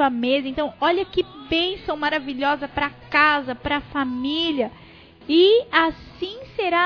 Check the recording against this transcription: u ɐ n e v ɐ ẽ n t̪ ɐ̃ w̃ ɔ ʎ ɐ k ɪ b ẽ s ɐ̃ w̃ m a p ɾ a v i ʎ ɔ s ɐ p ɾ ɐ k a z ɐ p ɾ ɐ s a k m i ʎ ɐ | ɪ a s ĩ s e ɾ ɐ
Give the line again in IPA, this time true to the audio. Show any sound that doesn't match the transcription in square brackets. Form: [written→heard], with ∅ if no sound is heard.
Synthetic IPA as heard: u ɐ [n→m] e [v→z] ɐ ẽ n t̪ ɐ̃ w̃ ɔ ʎ ɐ k ɪ b ẽ s ɐ̃ w̃ m a [p→∅] ɾ a v i ʎ ɔ [s→z] ɐ p ɾ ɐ k a z ɐ p ɾ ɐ [s→f] a [k→∅] m i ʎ ɐ | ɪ a s ĩ s e ɾ [ɐ→a]